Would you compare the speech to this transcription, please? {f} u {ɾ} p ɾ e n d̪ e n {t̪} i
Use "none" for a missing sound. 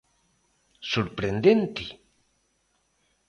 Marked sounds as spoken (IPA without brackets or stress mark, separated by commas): s, ɾ, t̪